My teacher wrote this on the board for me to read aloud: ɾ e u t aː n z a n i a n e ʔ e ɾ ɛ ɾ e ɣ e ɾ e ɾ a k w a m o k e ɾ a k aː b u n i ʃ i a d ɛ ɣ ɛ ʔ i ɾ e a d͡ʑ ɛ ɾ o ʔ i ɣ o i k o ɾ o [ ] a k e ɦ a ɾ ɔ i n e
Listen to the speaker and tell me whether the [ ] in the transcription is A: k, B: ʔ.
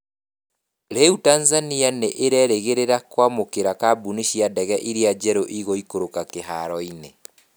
A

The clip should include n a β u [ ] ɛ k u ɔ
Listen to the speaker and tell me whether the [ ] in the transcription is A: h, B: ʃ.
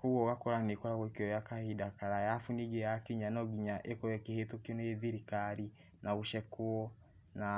B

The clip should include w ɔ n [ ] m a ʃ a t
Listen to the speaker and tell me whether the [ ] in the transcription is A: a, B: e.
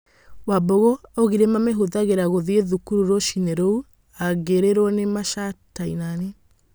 B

